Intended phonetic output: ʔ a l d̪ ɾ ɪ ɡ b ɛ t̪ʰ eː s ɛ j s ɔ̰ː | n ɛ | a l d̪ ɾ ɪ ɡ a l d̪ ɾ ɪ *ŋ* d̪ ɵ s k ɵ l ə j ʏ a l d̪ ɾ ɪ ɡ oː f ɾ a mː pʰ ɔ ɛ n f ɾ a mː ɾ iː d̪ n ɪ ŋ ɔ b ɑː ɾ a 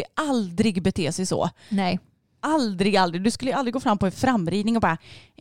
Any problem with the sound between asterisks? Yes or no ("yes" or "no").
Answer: yes